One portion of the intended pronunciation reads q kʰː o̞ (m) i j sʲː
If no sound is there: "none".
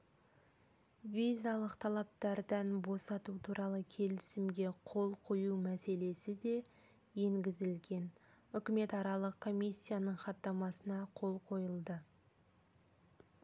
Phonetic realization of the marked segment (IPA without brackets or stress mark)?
m